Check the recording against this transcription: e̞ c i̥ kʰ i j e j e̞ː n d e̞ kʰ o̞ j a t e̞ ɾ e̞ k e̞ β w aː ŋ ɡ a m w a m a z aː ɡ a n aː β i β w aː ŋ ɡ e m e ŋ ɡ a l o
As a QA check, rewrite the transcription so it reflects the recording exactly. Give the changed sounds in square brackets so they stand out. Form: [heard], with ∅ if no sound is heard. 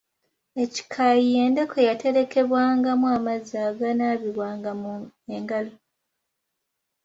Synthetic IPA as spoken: e̞ c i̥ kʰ [a] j [i] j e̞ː n d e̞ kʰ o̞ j a t e̞ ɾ e̞ k e̞ β w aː ŋ ɡ a m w a m a z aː ɡ a n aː β i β w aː ŋ ɡ [a] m e ŋ ɡ a l o